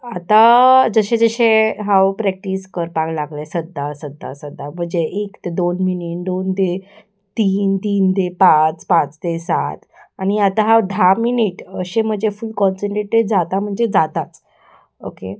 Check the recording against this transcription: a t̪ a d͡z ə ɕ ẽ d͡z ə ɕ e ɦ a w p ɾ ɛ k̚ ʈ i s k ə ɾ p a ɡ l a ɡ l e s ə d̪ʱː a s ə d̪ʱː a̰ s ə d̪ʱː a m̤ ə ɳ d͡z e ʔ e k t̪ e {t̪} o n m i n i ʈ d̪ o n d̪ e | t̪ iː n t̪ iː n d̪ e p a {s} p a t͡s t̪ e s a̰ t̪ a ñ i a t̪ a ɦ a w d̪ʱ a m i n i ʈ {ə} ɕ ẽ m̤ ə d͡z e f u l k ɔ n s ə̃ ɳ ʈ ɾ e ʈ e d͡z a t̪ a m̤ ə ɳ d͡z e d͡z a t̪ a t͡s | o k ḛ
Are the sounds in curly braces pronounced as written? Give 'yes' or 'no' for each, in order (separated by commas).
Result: no, no, yes